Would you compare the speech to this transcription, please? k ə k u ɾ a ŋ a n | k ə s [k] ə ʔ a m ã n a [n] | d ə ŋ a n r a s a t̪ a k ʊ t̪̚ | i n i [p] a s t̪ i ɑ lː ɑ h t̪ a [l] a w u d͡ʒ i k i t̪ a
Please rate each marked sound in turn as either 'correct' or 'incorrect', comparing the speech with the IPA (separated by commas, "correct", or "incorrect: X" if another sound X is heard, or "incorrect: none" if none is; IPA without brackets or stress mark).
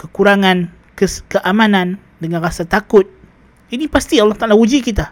correct, correct, correct, correct